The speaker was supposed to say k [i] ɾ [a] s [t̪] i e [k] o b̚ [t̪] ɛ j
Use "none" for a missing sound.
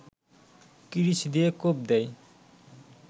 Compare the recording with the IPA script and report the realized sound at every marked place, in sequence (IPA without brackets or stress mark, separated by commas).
i, i, d̪, k, d̪